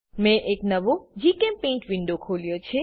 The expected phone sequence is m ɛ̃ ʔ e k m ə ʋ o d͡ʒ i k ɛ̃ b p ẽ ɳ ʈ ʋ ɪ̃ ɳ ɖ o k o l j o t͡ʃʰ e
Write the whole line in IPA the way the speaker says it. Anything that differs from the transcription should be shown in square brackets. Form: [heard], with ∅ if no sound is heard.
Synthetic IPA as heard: m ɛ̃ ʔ e k [n] ə ʋ o d͡ʒ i k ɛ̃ [m] p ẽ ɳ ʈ ʋ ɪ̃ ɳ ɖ o [kʰ] o l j o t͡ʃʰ e